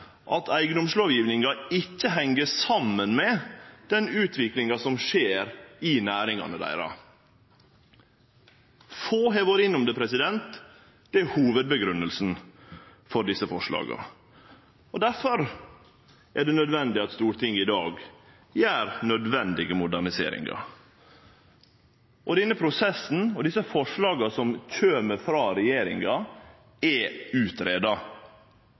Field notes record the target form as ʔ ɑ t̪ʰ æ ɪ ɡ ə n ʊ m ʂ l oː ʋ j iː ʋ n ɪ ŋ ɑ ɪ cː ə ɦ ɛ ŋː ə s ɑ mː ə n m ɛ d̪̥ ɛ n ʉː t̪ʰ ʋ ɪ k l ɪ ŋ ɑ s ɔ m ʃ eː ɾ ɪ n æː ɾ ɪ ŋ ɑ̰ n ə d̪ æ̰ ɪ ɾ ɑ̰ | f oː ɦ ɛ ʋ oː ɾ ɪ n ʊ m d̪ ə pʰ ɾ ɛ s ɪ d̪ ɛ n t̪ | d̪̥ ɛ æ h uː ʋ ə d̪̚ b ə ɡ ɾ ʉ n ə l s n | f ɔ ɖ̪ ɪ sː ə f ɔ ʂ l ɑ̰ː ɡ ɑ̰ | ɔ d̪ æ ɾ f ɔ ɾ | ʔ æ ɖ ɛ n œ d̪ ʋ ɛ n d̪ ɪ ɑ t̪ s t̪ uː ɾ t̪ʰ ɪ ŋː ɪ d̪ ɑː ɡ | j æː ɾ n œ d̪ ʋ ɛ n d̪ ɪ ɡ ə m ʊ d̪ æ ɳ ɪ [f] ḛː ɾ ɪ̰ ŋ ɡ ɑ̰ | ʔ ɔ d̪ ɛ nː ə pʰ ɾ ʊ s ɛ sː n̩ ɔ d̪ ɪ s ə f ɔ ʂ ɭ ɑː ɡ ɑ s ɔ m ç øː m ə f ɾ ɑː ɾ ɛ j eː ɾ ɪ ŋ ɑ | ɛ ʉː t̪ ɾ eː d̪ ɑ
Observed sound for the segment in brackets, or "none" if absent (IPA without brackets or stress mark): s